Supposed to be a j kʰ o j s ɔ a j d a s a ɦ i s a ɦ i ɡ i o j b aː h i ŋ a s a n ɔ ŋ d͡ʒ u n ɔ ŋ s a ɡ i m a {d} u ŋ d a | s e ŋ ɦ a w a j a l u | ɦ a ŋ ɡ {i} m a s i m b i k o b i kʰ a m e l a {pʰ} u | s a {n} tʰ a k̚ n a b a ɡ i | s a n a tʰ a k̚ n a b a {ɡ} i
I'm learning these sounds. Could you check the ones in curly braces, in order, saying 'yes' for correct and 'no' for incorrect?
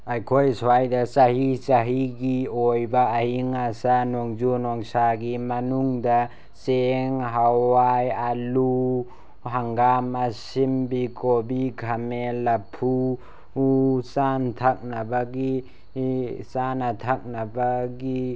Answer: no, no, yes, yes, yes

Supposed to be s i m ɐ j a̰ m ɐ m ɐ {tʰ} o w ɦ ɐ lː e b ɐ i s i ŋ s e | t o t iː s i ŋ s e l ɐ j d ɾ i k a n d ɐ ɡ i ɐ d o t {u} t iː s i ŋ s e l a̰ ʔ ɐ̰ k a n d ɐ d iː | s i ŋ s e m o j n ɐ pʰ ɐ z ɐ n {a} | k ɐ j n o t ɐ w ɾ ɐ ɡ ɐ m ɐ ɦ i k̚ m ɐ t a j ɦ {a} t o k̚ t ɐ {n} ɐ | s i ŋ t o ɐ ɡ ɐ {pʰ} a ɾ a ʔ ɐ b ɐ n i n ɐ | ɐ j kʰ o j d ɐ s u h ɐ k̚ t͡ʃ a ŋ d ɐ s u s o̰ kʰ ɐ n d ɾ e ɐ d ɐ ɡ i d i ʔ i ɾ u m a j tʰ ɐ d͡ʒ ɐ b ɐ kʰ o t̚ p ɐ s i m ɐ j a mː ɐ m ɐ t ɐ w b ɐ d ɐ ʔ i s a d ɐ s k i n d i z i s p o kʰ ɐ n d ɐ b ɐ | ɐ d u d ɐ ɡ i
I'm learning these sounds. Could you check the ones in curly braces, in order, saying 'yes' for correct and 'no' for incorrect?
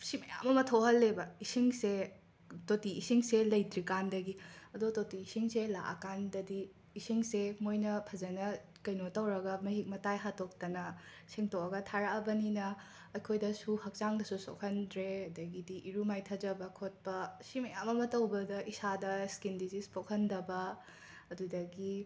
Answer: yes, no, no, yes, yes, no

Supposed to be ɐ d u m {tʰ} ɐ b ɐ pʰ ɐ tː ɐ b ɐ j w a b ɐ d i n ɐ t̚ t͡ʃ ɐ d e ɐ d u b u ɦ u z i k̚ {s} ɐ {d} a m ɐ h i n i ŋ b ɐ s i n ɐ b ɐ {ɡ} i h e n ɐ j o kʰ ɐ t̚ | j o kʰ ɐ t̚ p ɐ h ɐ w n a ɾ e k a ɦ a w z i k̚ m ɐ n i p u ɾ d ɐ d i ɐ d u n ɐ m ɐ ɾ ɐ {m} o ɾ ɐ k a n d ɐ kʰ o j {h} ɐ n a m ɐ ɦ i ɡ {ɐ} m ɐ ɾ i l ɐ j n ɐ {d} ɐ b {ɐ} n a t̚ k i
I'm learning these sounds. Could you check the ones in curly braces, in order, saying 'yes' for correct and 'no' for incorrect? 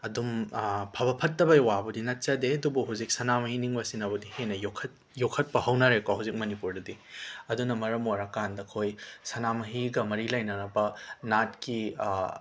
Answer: no, yes, no, no, yes, no, yes, no, yes

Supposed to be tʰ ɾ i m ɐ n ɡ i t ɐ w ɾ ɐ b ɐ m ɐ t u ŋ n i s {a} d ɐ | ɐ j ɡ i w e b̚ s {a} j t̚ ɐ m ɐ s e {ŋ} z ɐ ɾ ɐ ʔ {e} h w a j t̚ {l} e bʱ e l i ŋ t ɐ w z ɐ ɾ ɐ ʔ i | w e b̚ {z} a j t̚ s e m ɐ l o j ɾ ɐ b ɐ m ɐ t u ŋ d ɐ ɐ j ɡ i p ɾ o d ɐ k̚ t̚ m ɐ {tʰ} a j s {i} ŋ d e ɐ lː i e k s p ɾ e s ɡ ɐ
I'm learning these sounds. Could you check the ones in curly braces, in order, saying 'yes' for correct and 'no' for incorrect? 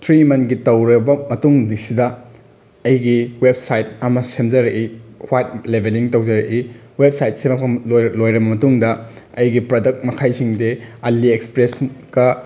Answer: no, yes, no, no, yes, no, no, yes

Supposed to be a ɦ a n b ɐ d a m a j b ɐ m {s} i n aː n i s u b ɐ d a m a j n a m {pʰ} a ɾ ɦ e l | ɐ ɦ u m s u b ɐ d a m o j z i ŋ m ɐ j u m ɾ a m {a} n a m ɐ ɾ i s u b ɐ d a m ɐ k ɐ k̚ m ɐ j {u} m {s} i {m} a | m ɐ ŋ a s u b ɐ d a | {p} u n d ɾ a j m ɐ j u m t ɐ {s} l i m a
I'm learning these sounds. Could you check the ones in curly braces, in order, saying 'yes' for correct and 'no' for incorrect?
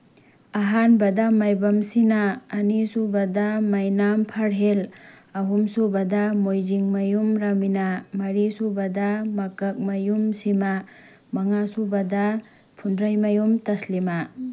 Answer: yes, yes, no, yes, yes, yes, no, yes

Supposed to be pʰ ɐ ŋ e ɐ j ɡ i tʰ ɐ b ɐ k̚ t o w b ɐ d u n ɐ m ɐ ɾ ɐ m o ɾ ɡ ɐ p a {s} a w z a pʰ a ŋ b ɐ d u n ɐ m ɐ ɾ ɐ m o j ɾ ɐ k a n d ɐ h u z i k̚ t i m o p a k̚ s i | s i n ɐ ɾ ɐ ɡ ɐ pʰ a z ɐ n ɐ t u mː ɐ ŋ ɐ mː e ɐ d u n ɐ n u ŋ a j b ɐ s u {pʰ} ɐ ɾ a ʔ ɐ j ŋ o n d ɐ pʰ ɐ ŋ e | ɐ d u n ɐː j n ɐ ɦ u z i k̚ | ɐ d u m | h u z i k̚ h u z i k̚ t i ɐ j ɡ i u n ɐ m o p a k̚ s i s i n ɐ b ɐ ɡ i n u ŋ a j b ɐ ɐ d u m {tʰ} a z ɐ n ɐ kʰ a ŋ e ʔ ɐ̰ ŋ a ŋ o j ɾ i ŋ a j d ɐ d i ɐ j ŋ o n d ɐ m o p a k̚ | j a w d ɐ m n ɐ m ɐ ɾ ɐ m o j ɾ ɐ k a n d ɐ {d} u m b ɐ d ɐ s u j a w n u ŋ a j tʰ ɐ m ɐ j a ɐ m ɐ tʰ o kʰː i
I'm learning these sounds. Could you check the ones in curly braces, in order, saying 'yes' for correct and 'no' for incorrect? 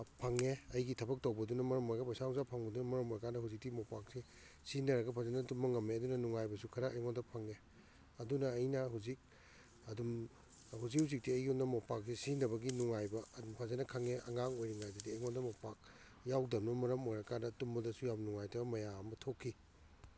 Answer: yes, no, no, no

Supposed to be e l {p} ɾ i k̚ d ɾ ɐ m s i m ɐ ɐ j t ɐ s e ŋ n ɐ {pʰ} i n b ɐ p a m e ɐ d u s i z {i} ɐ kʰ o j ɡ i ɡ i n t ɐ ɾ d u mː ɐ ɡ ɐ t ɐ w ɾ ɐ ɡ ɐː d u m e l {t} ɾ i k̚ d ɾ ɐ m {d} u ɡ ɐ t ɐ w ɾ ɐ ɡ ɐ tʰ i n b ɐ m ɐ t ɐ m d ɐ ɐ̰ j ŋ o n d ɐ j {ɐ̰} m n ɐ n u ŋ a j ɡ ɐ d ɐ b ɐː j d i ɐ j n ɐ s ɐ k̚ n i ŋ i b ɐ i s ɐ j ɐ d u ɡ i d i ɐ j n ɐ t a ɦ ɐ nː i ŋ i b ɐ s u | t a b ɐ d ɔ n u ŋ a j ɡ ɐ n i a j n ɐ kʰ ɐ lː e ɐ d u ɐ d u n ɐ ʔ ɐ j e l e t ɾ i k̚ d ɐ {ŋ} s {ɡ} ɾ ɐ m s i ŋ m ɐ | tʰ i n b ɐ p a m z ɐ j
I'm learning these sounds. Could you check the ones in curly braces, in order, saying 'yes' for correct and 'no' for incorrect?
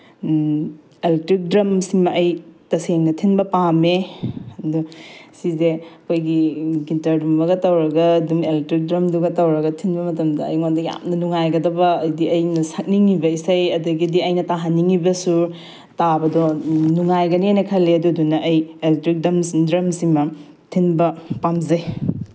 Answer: no, no, no, yes, yes, no, no, no

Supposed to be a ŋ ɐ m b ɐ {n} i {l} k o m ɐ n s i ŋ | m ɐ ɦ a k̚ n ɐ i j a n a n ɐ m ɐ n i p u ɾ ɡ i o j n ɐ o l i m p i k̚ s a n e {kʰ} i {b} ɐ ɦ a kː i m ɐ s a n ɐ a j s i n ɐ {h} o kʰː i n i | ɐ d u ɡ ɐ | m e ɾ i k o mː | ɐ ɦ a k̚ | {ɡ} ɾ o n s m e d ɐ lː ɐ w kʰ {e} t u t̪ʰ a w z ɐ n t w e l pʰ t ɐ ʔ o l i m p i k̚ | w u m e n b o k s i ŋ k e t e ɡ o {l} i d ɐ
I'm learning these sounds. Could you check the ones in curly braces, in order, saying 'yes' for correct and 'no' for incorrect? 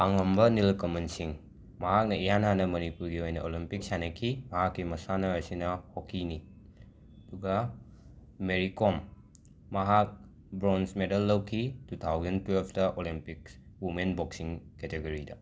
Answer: yes, yes, yes, no, yes, no, no, no

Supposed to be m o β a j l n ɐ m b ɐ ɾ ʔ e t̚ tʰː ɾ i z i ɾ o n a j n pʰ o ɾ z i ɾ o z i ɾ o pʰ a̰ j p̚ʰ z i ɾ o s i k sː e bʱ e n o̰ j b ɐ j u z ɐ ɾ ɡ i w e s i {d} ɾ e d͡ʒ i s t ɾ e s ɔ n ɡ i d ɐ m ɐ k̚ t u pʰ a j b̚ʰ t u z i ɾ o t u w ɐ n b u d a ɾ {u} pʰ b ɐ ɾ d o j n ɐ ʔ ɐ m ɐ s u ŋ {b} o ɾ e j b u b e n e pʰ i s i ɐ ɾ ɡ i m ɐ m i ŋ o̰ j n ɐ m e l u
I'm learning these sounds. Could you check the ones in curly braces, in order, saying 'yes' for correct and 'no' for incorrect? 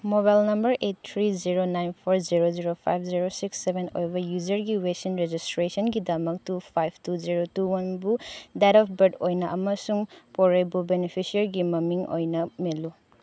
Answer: no, no, no

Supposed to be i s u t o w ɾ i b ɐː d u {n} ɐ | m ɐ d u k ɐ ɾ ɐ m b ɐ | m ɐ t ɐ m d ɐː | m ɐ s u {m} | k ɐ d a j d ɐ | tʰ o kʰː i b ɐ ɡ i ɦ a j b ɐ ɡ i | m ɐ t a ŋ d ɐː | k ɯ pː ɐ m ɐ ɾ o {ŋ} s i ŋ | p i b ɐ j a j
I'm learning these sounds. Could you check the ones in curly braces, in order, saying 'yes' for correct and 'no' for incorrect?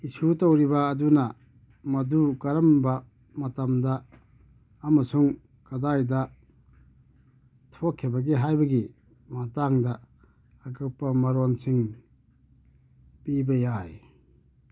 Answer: yes, no, no

